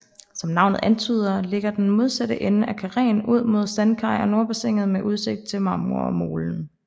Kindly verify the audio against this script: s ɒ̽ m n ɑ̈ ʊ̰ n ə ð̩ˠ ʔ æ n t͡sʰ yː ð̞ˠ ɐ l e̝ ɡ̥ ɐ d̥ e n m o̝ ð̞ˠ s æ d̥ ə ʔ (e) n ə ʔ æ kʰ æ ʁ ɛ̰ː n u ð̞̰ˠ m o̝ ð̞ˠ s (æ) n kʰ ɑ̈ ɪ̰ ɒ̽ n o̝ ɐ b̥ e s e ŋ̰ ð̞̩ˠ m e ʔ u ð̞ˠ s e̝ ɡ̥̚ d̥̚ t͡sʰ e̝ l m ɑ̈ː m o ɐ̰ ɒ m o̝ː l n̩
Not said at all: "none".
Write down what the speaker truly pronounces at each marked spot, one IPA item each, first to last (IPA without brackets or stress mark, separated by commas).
e, æ